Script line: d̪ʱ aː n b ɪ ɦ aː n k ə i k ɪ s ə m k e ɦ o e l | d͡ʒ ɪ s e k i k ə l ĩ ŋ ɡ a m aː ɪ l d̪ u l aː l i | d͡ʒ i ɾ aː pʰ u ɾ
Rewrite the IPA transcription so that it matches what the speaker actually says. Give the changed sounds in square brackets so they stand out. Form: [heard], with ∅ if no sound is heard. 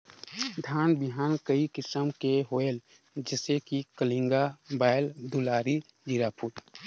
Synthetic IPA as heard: d̪ʱ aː n b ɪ ɦ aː n k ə i k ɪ s ə m k e ɦ o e l | d͡ʒ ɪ s e k i k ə l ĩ ŋ ɡ a [b] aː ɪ l d̪ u l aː [ɾ] i | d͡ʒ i ɾ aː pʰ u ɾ